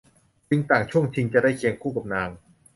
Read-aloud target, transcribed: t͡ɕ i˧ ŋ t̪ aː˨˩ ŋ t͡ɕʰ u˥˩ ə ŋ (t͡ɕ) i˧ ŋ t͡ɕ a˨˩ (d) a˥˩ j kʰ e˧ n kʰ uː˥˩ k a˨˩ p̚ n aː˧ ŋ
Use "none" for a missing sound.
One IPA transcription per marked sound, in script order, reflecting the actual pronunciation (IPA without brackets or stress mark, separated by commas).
t͡ɕʰ, d